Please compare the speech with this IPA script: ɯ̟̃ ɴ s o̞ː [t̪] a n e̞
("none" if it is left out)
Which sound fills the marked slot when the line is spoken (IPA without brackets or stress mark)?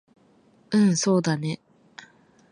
d̪